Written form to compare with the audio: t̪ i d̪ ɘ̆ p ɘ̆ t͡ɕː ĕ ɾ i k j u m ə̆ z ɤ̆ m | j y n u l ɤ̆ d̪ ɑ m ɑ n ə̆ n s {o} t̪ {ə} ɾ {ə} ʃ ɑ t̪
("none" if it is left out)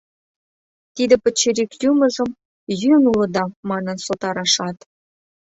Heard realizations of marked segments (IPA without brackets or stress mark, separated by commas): o, ɑ, ɑ